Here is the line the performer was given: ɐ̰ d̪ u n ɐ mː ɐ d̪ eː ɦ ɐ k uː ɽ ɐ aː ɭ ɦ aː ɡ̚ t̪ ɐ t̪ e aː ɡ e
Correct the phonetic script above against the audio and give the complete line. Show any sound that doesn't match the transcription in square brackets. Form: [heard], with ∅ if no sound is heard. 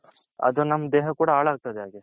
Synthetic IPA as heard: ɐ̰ d̪ u n ɐ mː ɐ d̪ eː ɦ ɐ k uː ɽ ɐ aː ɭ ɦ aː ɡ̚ t̪ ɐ [d̪] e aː ɡ e